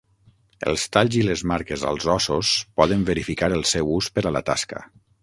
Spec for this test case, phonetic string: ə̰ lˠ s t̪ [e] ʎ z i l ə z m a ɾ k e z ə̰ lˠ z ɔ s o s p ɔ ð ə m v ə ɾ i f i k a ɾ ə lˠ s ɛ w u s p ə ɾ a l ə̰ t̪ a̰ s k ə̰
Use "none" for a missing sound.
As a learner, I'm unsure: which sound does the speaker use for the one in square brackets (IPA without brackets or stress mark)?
a